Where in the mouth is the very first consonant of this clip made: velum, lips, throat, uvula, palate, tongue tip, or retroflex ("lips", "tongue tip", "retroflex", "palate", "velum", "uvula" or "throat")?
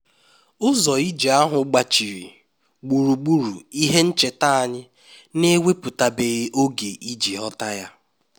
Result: tongue tip